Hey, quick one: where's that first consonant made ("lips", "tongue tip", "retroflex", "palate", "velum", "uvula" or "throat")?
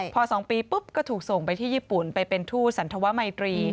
lips